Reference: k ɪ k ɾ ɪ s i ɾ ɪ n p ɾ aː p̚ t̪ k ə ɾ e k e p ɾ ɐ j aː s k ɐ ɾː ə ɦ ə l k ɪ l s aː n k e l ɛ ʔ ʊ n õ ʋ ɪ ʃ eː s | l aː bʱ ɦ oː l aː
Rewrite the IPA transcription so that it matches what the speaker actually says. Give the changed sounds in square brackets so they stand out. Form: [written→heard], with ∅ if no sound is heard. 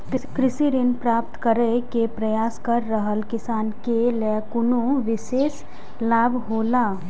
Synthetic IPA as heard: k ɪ k ɾ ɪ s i ɾ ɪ n p ɾ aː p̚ t̪ k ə ɾ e k e p ɾ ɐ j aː s k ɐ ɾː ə ɦ ə l k ɪ [l→∅] s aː n k e l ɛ [ʔ→k] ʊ n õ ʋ ɪ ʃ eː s | l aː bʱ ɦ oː l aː